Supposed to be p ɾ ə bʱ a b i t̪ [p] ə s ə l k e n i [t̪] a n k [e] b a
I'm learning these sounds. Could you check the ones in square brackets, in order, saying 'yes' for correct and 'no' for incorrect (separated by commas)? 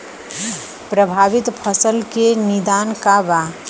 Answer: no, no, no